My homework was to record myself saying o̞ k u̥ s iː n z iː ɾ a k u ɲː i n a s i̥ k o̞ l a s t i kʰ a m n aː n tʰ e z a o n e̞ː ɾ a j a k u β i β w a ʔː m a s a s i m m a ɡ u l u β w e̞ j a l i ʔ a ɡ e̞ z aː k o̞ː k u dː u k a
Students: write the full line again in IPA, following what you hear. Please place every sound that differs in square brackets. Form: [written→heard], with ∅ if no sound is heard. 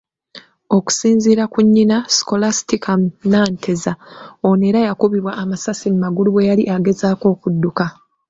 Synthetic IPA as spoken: o̞ k u̥ s iː n z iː ɾ a k u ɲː i n a s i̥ k o̞ l a s t i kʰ a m n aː n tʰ e z a o n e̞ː ɾ a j a k u β i β w a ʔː m a s a s i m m a ɡ u l u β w e̞ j a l i ʔ a ɡ e̞ z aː k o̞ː k u dː u k a